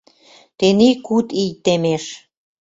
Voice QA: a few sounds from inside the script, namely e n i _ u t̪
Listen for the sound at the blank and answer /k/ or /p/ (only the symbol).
k